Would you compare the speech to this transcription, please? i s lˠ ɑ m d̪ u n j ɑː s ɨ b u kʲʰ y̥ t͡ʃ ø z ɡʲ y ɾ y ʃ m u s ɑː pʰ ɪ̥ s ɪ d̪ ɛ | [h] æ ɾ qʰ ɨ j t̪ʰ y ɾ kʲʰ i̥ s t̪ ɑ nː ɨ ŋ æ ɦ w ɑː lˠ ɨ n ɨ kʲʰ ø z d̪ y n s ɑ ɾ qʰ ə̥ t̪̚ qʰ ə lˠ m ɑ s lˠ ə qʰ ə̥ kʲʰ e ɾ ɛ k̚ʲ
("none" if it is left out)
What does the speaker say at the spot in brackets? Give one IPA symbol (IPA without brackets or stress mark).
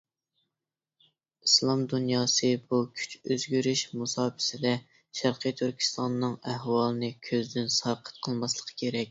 ʃ